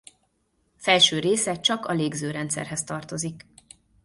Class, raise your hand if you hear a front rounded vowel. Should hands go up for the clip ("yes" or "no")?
yes